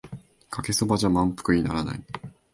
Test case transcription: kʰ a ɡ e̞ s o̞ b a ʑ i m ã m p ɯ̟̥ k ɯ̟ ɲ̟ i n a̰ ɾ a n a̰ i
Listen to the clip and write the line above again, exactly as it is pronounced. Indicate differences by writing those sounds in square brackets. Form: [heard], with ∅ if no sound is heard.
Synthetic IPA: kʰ a [k] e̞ s o̞ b a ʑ [a] m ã m p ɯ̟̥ k ɯ̟ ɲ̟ i n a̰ ɾ a n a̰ i